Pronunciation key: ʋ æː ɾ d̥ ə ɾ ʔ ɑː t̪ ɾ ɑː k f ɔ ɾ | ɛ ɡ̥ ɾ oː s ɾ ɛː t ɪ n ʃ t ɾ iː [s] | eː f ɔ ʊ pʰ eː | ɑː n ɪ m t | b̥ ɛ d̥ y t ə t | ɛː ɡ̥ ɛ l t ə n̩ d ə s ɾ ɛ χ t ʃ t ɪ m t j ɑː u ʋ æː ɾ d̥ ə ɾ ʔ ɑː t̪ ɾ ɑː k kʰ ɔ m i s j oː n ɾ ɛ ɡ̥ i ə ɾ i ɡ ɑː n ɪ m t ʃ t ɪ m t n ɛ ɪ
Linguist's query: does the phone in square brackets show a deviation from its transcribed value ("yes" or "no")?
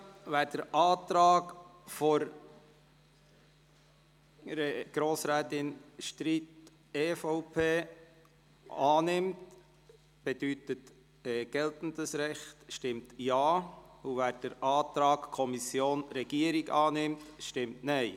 yes